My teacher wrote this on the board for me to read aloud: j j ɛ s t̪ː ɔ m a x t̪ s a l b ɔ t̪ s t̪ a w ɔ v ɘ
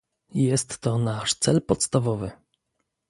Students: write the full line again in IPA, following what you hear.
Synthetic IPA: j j ɛ s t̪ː ɔ n a ʂ t̪ s ɛ l p ɔ t̪ s t̪ a v ɔ v ɘ